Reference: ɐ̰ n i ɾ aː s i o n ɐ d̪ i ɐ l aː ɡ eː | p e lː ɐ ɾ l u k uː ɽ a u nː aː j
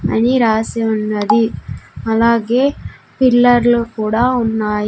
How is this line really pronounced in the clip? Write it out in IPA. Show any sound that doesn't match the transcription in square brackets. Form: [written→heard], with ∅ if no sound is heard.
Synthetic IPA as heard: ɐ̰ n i ɾ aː s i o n ɐ d̪ i ɐ l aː ɡ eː | p [e→i] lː ɐ ɾ l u k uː ɽ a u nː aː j